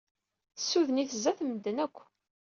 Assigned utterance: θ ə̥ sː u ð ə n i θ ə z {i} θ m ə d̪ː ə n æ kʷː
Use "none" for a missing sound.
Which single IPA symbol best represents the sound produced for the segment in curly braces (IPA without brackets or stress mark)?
æ